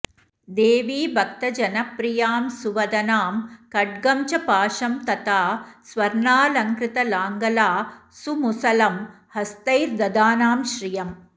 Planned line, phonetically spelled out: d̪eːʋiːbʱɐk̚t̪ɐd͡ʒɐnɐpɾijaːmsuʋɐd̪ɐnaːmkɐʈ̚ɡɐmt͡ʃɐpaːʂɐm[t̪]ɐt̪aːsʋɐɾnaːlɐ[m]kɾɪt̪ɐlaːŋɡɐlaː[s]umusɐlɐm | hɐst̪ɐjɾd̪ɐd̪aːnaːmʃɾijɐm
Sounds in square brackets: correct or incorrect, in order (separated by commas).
correct, incorrect, correct